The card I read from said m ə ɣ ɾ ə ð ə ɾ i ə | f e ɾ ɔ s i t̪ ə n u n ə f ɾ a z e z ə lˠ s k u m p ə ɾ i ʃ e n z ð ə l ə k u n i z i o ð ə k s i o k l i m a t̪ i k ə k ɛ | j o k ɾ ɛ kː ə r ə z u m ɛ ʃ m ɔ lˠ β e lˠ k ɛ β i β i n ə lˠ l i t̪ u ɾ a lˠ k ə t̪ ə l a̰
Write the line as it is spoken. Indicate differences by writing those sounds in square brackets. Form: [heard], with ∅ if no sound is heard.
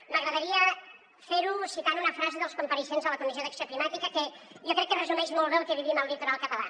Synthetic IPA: m ə ɣ ɾ ə ð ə ɾ i ə | f e ɾ [u] s i t̪ [a] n u n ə f ɾ a z e [ð] ə lˠ s k u m p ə ɾ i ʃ e n z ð ə l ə k u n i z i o ð ə k s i o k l i m a t̪ i k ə k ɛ | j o k ɾ ɛ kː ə r ə z u m ɛ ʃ m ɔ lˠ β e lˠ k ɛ β i β i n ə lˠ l i t̪ u ɾ a lˠ k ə t̪ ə l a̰